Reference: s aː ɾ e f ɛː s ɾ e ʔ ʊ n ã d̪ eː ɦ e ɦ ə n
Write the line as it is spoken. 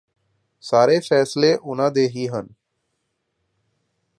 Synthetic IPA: s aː ɾ e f ɛː s l e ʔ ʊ n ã d̪ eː ɦ i ɦ ə n